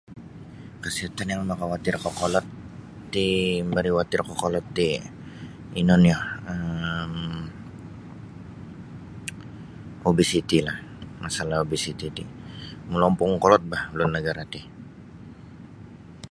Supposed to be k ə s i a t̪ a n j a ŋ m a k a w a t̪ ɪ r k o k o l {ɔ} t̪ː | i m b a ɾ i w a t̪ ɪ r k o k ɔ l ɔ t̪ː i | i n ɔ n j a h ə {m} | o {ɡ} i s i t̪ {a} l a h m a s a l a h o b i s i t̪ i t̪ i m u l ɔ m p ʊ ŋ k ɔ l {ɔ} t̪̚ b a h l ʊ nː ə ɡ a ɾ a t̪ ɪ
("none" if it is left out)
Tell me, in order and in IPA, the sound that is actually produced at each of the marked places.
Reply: ɔ, m, b, i, ɔ

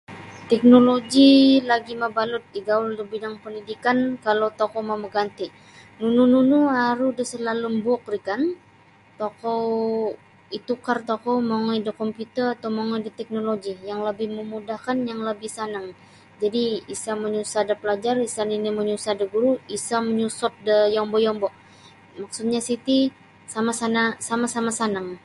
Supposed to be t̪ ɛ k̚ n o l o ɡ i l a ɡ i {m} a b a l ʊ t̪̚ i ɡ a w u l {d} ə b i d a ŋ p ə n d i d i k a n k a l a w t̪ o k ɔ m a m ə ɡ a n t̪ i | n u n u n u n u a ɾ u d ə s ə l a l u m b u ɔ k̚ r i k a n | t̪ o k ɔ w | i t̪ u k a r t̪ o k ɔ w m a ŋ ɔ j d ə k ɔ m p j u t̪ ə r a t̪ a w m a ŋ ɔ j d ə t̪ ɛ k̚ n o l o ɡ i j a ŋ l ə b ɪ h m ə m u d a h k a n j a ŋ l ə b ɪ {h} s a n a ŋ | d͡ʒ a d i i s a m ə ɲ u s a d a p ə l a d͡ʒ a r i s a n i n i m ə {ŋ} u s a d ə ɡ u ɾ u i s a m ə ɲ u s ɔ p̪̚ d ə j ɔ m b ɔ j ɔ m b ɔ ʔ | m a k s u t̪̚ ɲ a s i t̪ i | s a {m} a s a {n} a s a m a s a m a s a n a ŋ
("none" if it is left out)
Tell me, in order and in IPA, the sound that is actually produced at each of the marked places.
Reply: m, d, h, ɲ, m, n

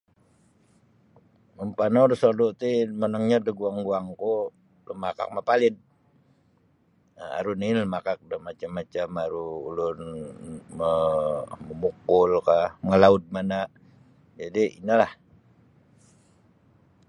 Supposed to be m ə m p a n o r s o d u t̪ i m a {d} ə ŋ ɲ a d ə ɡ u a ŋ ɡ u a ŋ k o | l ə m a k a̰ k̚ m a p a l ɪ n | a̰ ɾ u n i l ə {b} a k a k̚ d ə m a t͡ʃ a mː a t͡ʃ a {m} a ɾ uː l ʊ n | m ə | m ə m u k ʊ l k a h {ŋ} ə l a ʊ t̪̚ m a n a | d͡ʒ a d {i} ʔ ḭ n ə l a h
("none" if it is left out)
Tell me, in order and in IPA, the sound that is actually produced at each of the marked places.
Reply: n, m, m, ŋ, i

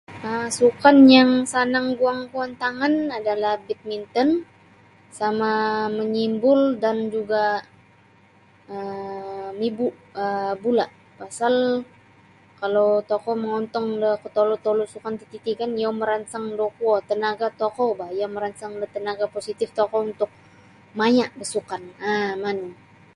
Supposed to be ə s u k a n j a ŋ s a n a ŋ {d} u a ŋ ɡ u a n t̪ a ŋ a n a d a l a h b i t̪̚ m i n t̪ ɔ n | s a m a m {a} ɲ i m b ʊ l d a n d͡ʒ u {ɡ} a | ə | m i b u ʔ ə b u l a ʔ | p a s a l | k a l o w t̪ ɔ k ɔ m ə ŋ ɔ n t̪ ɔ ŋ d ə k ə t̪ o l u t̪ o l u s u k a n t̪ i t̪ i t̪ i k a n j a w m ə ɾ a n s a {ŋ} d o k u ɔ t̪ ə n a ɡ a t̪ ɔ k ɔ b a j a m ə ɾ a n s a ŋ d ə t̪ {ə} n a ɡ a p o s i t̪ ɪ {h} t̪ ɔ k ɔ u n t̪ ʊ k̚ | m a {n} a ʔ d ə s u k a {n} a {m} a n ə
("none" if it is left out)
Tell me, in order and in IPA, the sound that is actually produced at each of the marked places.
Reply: ɡ, ə, ɡ, ŋ, ə, f, ɲ, n, m

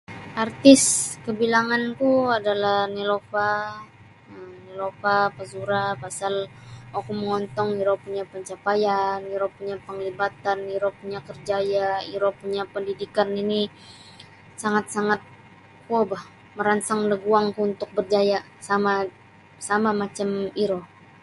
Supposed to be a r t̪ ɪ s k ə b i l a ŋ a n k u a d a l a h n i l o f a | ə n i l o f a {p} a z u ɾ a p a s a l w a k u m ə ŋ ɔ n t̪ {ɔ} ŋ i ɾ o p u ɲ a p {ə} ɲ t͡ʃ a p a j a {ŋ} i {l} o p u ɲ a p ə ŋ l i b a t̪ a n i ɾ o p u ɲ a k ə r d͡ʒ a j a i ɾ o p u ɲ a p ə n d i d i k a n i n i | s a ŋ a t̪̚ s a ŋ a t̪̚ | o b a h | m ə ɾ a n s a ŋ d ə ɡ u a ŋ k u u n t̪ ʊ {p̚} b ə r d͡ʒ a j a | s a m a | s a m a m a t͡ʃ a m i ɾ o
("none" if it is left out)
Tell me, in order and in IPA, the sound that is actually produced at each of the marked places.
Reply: p, ɔ, ə, n, ɾ, k̚

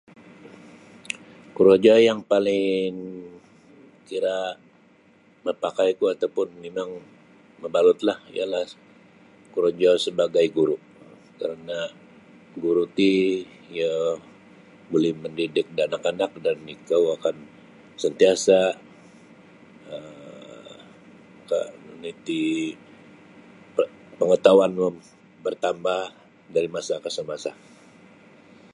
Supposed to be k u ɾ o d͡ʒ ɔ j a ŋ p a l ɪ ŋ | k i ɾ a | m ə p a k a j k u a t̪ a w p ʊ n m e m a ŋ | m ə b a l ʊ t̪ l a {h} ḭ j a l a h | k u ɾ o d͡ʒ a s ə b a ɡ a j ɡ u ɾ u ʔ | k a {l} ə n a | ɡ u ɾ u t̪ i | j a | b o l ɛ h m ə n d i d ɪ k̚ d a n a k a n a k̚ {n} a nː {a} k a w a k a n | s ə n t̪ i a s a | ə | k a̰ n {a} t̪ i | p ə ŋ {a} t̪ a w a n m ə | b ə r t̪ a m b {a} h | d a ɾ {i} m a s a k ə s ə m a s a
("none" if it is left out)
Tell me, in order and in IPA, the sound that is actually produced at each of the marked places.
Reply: h, ɾ, d, i, i, ə, a, i

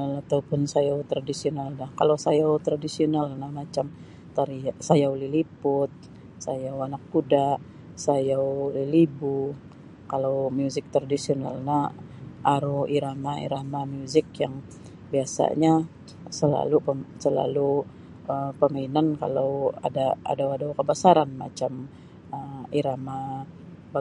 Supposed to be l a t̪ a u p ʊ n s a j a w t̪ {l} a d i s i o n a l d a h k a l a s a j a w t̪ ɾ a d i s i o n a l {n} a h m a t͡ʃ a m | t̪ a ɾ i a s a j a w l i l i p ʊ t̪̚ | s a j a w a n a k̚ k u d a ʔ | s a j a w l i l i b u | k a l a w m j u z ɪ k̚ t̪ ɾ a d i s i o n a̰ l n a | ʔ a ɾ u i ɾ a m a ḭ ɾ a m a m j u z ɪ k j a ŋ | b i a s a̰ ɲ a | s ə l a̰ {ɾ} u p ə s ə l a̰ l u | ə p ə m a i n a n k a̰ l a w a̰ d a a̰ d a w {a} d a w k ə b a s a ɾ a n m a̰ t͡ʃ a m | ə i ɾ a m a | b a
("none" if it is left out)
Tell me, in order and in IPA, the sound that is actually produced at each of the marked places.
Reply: ɾ, n, l, a

